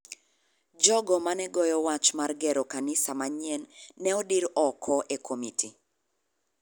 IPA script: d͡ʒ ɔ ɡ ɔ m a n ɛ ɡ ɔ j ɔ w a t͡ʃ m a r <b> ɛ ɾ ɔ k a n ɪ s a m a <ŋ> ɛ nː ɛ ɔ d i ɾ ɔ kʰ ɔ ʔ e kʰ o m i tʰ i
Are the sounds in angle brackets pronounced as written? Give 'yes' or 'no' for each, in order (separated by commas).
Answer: no, no